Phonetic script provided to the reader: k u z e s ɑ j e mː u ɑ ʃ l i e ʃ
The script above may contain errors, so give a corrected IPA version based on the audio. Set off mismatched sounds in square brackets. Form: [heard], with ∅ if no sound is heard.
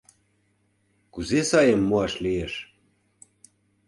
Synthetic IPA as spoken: k u z e s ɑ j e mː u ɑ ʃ l i e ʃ